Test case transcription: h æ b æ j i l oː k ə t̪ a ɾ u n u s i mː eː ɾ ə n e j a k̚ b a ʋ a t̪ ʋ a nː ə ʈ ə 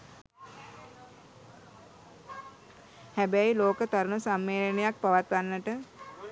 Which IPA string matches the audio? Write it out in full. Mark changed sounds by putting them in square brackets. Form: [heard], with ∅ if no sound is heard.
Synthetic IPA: h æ b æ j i l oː k ə t̪ a ɾ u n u s [a] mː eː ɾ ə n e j a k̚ [p] a ʋ a t̪ ʋ a nː ə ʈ ə